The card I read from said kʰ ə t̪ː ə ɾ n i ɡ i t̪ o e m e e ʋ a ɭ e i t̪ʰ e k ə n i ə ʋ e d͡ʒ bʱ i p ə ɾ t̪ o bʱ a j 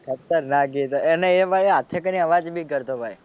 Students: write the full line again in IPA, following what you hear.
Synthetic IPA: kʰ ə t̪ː ə ɾ n a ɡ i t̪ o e n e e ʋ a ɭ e a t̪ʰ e k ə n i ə ʋ a d͡ʒ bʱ i k ə ɾ t̪ o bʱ a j

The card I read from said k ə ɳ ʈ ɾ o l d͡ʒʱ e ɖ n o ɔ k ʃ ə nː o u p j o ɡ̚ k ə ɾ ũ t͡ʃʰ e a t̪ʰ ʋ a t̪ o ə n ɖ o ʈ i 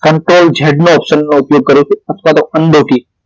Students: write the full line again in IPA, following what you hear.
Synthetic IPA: k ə ɳ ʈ ɾ o l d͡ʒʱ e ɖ n o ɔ p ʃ ə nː o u p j o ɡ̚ k ə ɾ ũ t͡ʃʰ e ə t̪ʰ ʋ a t̪ o ə n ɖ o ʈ i

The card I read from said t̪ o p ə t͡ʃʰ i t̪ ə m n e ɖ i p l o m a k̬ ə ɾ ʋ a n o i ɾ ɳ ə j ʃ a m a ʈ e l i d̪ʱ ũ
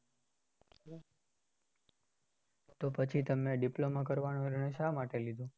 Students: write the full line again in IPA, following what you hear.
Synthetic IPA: t̪ o p ə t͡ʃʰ i t̪ ə m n e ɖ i p l o m a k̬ ə ɾ ʋ a n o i ɾ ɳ ə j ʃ a m a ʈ e l i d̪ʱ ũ

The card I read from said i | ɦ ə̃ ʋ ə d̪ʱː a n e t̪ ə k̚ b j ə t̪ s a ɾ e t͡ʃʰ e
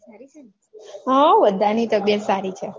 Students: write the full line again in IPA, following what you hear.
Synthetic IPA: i | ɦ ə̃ ʋ ə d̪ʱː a n i t̪ ə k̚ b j ə t̪ s a ɾ i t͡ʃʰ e

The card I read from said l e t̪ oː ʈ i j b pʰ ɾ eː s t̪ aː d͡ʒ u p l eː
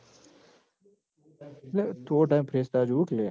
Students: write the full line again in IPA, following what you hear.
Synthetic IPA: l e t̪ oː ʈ a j m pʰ ɾ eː s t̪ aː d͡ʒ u k l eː

